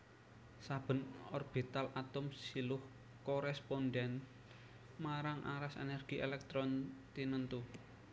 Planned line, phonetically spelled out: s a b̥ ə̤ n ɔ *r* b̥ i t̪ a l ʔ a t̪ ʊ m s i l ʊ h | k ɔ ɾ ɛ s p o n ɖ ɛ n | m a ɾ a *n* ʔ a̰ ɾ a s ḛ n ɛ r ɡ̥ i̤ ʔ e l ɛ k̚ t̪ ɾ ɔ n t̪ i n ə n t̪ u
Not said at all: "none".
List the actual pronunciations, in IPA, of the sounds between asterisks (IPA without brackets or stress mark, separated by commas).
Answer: r, ŋ